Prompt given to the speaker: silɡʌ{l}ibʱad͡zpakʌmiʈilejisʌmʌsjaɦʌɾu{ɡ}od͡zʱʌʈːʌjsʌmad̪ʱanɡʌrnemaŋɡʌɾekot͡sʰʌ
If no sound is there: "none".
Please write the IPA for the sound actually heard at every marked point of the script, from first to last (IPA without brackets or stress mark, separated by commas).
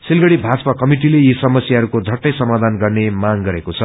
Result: ɽ, k